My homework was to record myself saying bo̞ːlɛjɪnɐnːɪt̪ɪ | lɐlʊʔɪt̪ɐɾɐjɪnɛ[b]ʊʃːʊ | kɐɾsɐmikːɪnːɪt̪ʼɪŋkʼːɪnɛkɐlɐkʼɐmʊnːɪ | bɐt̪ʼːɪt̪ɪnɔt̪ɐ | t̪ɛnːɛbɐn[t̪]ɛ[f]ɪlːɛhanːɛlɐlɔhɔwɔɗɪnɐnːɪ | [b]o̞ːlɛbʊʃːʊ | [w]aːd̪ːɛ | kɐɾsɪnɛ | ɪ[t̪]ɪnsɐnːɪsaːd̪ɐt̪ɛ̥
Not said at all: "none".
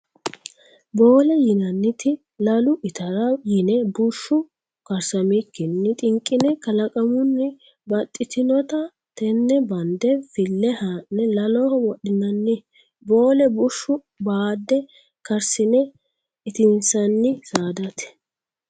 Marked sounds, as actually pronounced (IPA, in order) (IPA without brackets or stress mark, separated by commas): b, d̪, f, b, b, t̪